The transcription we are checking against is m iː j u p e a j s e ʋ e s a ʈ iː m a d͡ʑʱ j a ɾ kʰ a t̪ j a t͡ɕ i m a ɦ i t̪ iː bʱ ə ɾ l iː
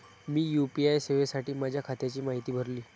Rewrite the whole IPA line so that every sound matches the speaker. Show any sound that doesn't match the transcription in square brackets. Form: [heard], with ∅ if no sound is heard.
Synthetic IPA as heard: m iː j u p [i] a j s e ʋ e s a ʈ iː m a d͡ʑʱ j a [∅] kʰ a t̪ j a t͡ɕ [iː] m a ɦ i t̪ iː bʱ ə ɾ l iː